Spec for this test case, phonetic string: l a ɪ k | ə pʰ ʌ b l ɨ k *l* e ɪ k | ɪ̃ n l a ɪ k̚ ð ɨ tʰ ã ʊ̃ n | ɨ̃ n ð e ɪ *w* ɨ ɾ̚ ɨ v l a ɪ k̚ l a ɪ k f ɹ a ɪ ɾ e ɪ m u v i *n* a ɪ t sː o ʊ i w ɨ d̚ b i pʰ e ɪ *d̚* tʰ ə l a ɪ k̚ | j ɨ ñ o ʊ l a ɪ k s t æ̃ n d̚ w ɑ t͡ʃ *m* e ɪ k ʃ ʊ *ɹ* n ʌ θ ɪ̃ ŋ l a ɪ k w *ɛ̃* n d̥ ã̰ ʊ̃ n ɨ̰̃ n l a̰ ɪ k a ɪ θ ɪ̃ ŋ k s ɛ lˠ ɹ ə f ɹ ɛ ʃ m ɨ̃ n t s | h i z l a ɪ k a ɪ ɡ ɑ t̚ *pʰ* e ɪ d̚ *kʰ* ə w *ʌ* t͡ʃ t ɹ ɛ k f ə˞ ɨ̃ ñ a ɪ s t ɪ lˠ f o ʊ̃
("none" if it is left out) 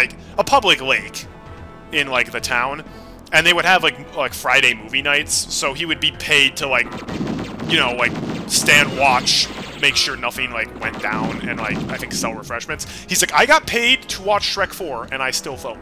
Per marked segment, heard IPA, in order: l, w, n, d̚, m, ɹ, ɛ̃, pʰ, tʰ, ɑ

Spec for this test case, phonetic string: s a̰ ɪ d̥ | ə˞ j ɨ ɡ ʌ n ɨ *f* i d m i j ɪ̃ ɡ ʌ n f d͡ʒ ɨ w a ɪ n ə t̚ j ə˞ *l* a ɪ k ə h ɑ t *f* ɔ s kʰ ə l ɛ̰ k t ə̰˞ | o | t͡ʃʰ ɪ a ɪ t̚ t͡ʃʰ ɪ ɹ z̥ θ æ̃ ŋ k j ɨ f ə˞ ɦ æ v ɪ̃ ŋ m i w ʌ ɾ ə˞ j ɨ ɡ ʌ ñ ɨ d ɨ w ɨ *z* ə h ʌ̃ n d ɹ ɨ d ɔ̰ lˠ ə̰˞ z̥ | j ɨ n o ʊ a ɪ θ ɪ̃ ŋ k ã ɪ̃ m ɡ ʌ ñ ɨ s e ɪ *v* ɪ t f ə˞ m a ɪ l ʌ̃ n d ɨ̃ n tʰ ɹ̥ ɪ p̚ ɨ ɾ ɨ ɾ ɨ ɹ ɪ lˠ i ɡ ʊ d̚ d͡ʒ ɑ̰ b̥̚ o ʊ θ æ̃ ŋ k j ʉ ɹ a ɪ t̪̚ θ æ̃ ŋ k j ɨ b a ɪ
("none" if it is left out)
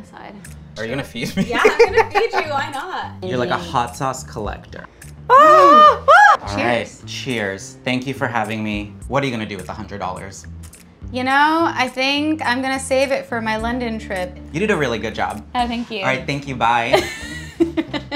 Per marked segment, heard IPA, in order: f, l, s, ð, v

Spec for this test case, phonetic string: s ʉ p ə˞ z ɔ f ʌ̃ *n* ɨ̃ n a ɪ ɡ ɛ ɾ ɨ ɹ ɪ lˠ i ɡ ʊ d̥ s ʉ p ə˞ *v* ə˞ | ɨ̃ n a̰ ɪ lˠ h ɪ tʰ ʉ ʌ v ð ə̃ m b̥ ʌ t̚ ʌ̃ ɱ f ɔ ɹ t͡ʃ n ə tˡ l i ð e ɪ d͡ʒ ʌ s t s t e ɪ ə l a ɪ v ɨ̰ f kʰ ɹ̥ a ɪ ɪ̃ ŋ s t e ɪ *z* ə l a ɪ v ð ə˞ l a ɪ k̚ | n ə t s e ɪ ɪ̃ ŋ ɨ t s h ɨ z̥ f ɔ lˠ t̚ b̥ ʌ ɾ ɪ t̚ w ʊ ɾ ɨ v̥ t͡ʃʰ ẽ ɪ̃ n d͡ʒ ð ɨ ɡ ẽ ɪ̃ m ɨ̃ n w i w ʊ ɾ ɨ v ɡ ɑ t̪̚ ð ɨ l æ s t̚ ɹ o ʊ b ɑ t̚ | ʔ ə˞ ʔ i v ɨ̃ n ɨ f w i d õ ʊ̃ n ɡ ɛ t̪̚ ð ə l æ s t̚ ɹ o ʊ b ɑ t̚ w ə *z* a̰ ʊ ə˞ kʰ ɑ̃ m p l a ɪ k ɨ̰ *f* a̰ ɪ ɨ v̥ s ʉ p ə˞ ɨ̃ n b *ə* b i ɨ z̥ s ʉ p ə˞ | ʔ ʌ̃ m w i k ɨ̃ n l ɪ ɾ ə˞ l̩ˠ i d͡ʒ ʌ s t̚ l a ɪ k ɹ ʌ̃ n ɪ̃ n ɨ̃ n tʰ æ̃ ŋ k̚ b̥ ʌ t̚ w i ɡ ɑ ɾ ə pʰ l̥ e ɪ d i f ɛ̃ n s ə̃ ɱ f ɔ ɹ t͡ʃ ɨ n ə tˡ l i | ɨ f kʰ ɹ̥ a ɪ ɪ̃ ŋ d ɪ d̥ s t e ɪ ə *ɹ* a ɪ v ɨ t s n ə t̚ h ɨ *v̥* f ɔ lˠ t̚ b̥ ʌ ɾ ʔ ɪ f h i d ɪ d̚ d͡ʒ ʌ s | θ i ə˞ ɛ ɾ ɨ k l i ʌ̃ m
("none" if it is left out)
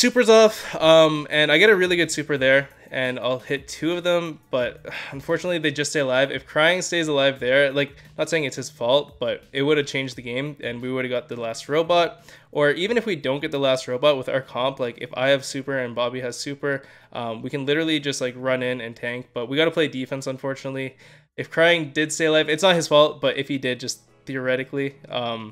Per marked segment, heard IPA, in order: m, ð, z, ð, f, ɑ, l, z̥

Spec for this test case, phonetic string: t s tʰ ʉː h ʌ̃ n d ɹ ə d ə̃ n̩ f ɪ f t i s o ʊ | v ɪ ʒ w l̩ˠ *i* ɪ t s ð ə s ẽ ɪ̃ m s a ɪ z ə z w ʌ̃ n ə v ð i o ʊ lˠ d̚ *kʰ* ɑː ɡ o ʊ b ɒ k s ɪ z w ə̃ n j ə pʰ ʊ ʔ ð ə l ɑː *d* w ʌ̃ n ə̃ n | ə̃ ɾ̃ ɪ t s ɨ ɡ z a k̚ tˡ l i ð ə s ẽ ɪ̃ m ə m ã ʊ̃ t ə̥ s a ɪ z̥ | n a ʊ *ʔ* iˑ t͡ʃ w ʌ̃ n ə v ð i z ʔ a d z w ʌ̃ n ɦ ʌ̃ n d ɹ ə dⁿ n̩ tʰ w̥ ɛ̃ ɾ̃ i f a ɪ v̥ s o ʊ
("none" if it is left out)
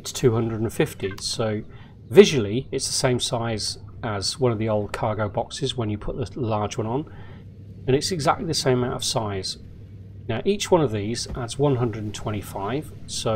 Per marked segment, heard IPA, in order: i, kʰ, d͡ʒ, ʔ

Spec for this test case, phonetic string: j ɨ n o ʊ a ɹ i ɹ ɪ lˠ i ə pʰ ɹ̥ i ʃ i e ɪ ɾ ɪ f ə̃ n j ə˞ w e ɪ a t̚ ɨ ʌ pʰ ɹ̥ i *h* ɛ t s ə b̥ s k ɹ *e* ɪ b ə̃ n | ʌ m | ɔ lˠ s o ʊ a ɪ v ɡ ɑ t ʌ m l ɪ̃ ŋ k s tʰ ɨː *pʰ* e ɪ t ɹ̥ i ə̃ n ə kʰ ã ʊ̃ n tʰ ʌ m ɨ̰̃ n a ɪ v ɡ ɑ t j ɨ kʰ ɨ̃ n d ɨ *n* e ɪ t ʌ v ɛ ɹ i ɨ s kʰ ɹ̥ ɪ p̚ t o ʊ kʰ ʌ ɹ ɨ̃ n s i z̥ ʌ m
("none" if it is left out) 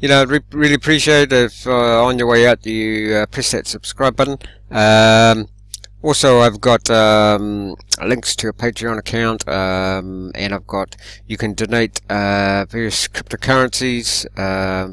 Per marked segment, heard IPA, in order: s, a, pʰ, n

